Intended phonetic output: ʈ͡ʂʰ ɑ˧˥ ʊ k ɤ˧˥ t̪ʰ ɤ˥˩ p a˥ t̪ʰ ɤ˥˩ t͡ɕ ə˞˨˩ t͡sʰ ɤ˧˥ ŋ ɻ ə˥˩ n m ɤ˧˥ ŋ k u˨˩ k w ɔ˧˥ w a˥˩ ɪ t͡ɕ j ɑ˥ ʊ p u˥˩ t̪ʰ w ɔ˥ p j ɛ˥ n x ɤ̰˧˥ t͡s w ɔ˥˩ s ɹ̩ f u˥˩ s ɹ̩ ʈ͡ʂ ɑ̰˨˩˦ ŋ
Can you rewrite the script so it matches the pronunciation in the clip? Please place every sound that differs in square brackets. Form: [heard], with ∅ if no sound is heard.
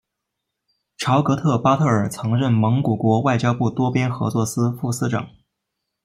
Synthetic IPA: ʈ͡ʂʰ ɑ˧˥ ʊ k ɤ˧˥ t̪ʰ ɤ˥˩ p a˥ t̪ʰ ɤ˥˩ [∅] ə˞˨˩ t͡sʰ ɤ˧˥ ŋ ɻ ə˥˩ n m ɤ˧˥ ŋ k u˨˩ k w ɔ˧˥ w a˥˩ ɪ t͡ɕ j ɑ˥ ʊ p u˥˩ [t̪] w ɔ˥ p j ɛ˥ n x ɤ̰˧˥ t͡s w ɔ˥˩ s ɹ̩ f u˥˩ s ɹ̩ ʈ͡ʂ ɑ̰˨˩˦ ŋ